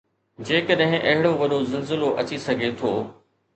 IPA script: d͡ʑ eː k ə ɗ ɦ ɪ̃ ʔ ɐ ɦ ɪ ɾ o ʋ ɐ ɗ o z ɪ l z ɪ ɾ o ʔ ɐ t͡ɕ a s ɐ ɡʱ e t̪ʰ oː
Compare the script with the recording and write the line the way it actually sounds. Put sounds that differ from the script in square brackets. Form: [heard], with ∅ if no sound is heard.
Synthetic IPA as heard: d͡ʑ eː k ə ɗ ɦ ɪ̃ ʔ ɐ ɦ ɪ [ɽ] o ʋ ɐ ɗ o z ɪ l z ɪ [l] o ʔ ɐ t͡ɕ [i] s ɐ ɡʱ e t̪ʰ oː

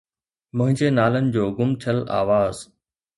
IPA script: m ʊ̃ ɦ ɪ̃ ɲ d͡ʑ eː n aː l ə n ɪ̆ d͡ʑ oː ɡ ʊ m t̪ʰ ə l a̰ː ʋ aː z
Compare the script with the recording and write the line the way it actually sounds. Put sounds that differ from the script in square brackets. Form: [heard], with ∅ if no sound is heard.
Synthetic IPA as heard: m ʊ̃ ɦ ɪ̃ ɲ d͡ʑ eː n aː l ə n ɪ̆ d͡ʑ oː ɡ ʊ m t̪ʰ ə l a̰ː ʋ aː z

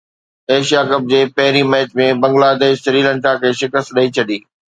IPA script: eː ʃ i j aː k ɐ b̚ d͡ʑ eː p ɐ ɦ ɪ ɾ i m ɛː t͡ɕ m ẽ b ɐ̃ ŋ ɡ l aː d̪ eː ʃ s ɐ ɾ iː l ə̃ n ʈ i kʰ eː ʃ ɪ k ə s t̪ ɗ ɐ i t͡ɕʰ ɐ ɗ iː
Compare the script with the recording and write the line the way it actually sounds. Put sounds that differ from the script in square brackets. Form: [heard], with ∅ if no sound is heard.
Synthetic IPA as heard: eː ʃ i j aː k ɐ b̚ d͡ʑ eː p ɐ ɦ ɪ ɾ i m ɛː t͡ɕ m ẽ b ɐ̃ ŋ ɡ l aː d̪ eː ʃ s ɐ ɾ iː l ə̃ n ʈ [a] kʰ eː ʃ ɪ k ə s t̪ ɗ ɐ i t͡ɕʰ ɐ ɗ iː

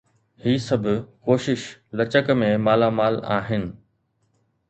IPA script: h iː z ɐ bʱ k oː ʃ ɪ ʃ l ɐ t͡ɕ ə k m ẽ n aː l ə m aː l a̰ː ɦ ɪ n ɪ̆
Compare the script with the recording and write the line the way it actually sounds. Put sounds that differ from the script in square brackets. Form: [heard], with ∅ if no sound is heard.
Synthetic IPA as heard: h iː [s] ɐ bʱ k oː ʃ ɪ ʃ l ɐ t͡ɕ ə k m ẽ [m] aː l [a] m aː l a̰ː ɦ ɪ n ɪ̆

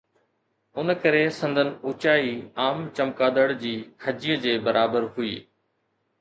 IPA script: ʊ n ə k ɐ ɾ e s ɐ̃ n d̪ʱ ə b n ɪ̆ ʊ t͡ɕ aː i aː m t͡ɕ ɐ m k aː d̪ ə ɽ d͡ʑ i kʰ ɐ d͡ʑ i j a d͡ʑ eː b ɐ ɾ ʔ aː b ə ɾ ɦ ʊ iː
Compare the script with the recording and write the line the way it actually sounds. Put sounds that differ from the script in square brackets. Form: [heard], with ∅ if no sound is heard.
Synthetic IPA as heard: ʊ n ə k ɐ ɾ e s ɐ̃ n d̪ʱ ə [∅] n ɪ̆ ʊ t͡ɕ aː i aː m t͡ɕ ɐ m k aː d̪ ə ɽ d͡ʑ [iː] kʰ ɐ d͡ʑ i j [ə] d͡ʑ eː b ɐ ɾ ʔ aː b ə ɾ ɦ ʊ iː

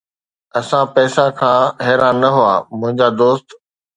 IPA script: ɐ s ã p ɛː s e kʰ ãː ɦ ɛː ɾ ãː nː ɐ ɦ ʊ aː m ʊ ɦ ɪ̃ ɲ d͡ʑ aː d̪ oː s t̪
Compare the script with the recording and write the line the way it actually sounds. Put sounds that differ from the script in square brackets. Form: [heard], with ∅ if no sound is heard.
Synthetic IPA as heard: ɐ s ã p ɛː s [a] kʰ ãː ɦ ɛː ɾ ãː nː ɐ ɦ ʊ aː m [ʊ̃] ɦ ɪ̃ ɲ d͡ʑ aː d̪ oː s t̪

